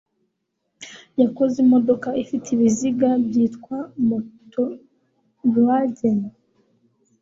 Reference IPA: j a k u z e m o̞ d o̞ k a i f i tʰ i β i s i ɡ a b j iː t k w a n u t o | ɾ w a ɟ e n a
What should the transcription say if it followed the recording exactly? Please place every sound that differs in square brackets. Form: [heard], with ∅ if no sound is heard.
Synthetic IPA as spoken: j a k [o] z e m o̞ d o̞ k a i f i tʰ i β i [z] i ɡ a b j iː t k w a [m] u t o | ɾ w a ɟ e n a